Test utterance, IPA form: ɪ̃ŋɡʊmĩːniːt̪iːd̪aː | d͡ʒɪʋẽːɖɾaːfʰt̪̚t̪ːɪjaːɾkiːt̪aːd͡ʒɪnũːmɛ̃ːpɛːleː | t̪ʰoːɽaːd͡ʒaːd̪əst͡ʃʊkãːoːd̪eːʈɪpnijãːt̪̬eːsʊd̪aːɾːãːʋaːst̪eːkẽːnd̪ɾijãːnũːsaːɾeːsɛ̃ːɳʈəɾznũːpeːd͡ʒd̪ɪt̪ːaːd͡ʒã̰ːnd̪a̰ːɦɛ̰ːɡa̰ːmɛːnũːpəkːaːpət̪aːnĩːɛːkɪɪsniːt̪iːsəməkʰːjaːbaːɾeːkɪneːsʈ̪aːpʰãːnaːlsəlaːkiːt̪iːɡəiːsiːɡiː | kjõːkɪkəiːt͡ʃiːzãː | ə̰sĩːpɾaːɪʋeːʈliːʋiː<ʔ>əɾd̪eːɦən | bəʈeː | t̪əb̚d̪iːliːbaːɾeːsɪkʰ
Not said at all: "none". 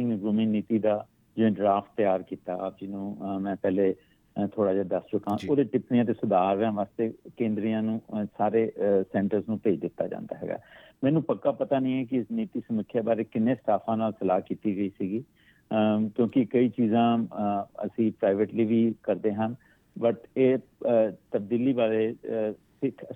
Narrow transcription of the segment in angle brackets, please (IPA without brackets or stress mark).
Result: k